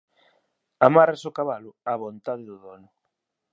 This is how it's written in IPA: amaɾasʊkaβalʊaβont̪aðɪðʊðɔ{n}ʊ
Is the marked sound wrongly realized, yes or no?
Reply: no